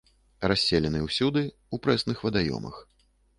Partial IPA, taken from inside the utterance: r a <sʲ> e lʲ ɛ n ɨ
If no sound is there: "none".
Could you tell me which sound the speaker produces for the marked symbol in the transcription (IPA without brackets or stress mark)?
sʲː